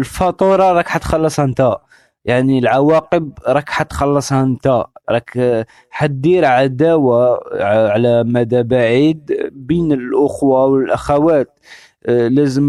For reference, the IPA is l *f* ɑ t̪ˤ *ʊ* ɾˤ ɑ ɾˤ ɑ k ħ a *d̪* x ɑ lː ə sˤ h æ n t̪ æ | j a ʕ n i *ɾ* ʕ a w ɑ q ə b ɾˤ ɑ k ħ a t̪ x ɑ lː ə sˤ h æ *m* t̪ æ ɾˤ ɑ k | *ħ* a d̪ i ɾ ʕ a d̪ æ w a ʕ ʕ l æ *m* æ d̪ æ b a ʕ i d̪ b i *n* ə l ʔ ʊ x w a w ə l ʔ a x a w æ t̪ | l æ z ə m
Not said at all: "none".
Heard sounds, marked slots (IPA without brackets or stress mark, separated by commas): f, u, t̪, l, n, ħ, m, n